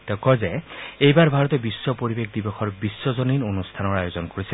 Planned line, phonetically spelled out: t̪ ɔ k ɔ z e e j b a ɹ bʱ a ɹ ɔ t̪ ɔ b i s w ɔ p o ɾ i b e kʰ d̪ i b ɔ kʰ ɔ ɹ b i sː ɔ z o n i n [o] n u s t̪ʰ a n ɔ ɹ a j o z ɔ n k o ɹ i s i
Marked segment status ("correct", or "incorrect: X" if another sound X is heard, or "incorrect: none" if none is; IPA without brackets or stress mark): correct